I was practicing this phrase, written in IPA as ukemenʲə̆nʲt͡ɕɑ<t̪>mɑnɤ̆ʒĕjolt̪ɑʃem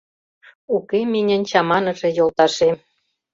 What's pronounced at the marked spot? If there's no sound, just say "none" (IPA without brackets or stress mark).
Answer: none